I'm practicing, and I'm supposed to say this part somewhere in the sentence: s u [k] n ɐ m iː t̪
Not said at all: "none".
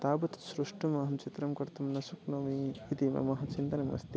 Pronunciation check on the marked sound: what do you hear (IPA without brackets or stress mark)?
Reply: k